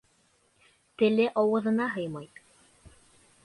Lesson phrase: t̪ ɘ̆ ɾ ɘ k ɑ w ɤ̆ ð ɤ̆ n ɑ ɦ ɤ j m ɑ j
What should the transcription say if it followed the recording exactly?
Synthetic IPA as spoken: t̪ ɘ̆ l ɘ ʔ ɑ w ɤ̆ ð ɤ̆ n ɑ ɦ ɤ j m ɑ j